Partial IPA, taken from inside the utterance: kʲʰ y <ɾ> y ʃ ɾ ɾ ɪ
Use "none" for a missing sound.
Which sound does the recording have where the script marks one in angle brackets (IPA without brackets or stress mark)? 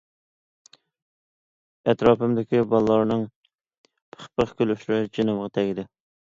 l